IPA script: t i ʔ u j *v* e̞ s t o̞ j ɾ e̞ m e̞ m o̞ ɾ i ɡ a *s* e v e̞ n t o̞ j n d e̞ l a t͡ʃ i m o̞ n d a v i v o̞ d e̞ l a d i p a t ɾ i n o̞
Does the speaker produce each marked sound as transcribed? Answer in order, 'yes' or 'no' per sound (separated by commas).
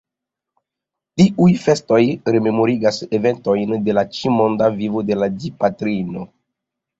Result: no, yes